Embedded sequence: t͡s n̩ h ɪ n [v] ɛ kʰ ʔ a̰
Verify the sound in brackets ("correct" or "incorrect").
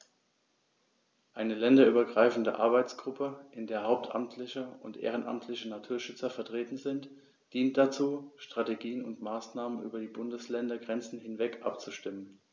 correct